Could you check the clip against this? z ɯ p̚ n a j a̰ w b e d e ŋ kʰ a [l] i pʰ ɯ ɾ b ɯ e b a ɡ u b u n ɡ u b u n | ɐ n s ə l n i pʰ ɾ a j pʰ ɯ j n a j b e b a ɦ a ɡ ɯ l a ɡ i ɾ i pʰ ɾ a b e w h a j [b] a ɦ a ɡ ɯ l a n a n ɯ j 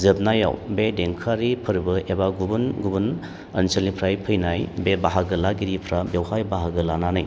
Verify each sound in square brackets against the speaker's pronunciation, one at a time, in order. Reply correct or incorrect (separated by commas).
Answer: incorrect, correct